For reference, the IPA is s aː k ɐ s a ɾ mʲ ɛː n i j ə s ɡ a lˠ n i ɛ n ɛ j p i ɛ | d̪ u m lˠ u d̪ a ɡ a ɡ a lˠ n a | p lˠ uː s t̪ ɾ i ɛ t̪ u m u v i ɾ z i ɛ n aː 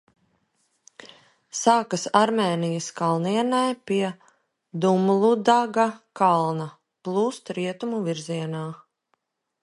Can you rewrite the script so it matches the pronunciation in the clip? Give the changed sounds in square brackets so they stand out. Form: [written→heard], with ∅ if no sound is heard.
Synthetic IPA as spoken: s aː k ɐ s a ɾ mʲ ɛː n i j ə s [ɡ→k] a lˠ n i ɛ n [ɛ→a] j p i ɛ | d̪ u m lˠ u d̪ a ɡ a [ɡ→k] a lˠ n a | p lˠ uː s t̪ ɾ i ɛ t̪ u m u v i ɾ z i ɛ n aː